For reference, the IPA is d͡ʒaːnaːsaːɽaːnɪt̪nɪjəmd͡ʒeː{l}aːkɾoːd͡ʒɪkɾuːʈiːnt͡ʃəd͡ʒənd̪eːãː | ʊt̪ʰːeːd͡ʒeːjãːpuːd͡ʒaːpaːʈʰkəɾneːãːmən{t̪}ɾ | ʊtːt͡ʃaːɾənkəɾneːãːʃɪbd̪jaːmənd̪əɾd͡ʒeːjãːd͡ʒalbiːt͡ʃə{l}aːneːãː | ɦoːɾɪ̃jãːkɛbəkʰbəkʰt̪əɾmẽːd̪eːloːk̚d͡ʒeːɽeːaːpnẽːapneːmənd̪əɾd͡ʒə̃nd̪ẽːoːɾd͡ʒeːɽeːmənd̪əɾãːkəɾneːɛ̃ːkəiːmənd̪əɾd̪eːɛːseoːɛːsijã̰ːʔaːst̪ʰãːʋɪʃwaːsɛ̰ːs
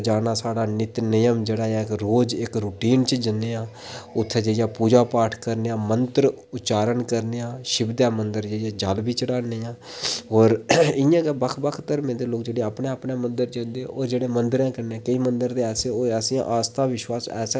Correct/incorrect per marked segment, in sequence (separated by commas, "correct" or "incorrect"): incorrect, correct, incorrect